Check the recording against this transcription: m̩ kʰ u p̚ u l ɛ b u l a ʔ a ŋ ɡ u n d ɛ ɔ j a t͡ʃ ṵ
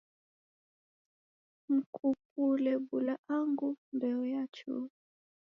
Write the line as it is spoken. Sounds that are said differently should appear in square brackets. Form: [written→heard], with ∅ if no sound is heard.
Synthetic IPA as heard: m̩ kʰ u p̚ u l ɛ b u l a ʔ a ŋ ɡ u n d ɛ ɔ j a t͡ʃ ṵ